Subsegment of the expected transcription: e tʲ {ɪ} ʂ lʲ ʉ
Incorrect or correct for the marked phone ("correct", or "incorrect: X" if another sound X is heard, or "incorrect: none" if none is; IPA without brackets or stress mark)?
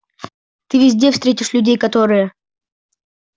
correct